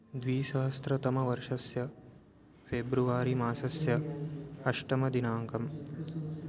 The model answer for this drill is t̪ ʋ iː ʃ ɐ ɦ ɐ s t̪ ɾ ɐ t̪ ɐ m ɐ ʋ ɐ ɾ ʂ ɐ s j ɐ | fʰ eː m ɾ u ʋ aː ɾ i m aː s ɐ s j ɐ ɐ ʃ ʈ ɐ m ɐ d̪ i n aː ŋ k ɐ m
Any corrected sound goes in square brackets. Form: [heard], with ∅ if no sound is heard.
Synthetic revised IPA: [d̪] ʋ iː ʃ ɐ ɦ ɐ s t̪ ɾ ɐ t̪ ɐ m ɐ ʋ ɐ ɾ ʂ ɐ s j ɐ | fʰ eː [b] ɾ u ʋ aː ɾ i m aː s ɐ s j ɐ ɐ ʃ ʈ ɐ m ɐ d̪ i n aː ŋ k ɐ m